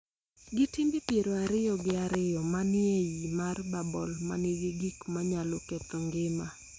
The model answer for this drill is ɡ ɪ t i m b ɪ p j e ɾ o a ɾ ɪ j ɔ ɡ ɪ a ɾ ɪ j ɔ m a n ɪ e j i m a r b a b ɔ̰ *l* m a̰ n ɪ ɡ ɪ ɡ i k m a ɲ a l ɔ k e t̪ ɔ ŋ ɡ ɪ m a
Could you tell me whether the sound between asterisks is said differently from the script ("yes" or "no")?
no